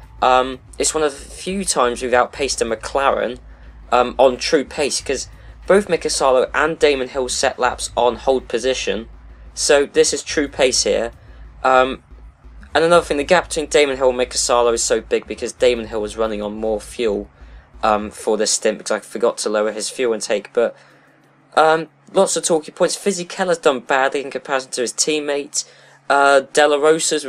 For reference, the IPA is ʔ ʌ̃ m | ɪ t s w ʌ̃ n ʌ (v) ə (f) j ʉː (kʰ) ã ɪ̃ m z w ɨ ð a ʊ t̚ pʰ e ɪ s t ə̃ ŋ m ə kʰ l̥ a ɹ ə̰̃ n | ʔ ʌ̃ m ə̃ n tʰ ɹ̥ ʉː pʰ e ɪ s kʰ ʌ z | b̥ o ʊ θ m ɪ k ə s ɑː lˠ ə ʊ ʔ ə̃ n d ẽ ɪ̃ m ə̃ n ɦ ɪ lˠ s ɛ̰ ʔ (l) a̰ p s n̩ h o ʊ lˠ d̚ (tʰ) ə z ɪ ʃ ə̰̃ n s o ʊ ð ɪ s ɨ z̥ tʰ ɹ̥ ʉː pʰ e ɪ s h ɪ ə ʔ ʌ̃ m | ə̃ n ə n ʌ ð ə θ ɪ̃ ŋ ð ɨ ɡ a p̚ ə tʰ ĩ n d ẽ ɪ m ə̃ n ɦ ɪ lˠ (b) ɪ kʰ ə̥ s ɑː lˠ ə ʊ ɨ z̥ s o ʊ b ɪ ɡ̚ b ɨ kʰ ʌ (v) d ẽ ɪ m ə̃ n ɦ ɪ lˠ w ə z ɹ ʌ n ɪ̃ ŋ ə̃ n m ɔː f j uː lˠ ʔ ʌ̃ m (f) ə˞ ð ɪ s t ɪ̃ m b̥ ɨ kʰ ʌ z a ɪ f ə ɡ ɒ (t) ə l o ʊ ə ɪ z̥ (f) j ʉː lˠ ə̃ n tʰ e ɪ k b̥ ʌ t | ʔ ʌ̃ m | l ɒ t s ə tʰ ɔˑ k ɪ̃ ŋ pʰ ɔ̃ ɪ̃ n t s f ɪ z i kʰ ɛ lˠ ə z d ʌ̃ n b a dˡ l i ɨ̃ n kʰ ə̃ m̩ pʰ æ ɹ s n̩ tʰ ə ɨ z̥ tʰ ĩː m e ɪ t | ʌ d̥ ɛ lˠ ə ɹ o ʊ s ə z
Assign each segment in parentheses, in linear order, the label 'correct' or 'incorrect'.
correct, correct, incorrect: tʰ, correct, incorrect: pʰ, incorrect: m, incorrect: z, correct, incorrect: tʰ, correct

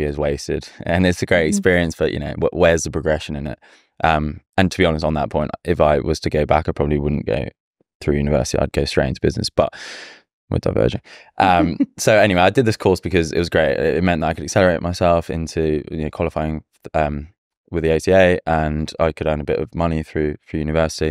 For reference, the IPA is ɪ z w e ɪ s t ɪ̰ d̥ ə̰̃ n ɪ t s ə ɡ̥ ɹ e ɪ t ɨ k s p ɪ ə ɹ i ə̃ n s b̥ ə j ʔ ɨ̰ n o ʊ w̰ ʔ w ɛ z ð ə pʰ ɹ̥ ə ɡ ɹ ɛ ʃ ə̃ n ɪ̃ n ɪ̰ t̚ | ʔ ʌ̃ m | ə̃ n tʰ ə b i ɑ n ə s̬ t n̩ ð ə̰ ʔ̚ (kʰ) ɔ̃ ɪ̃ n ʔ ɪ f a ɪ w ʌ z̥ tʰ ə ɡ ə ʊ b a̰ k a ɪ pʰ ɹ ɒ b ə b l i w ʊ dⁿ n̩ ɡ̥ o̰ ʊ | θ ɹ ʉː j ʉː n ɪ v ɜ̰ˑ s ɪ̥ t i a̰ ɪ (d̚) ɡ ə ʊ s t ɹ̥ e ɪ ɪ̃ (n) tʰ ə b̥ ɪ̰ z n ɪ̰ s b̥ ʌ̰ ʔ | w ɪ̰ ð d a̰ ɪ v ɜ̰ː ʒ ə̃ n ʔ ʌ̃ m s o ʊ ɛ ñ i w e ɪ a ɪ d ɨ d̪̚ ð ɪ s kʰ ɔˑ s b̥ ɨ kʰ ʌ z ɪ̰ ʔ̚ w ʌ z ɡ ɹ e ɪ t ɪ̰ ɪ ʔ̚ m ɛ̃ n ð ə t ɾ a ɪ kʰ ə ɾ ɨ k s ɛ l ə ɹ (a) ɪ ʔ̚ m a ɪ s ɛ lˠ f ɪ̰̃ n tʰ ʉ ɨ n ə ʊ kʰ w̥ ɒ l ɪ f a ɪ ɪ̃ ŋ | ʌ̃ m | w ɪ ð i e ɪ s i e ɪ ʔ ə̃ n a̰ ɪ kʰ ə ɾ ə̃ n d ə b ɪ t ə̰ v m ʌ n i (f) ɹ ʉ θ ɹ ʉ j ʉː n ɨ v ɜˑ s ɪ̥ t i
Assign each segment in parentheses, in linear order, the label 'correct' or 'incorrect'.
incorrect: pʰ, correct, correct, incorrect: e, incorrect: θ

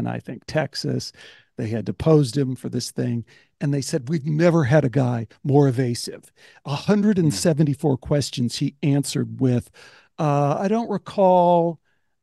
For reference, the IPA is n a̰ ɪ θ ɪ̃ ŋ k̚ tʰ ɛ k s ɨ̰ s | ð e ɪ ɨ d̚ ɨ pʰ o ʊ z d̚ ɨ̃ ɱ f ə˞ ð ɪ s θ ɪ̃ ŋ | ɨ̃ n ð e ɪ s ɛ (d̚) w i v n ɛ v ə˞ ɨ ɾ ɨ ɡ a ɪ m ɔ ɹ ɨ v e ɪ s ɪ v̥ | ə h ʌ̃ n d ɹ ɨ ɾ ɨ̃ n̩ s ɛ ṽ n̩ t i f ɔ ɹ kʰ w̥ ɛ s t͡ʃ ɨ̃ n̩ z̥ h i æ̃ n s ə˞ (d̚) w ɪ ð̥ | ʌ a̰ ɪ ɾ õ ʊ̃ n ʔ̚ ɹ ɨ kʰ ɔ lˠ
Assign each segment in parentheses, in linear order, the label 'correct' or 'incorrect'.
correct, correct

